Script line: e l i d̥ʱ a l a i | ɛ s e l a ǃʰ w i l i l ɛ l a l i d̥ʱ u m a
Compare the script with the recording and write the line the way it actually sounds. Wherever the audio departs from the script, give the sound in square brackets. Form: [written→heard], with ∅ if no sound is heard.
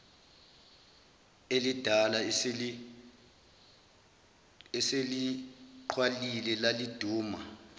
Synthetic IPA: e l i d̥ʱ a l a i | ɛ s e l [a→i] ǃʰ w [i→a] l i l ɛ l a l i d̥ʱ [u→uː] m a